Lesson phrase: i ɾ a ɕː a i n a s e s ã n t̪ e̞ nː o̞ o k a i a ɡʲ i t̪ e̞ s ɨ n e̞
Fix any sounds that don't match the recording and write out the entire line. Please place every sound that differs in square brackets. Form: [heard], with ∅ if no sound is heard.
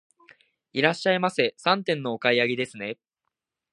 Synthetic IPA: i ɾ a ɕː a i [m] a s e s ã n t̪ [ẽ̞] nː o̞ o k a i a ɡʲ i [d̪] e̞ s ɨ n e̞